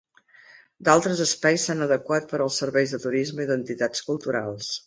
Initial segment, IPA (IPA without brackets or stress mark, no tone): d̪